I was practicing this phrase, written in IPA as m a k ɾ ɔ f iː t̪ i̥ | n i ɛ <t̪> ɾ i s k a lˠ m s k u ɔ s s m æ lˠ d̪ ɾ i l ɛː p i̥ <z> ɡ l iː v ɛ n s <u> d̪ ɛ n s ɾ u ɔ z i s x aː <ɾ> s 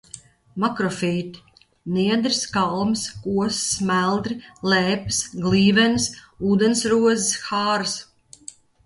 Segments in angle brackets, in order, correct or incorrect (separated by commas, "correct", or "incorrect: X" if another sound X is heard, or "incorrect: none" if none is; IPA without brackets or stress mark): incorrect: d̪, incorrect: s, incorrect: uː, correct